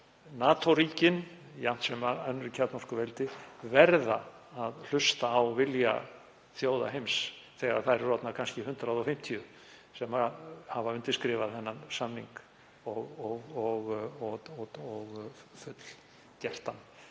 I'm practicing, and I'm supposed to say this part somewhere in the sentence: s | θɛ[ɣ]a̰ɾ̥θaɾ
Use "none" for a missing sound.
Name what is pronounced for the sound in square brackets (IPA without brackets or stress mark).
ɣ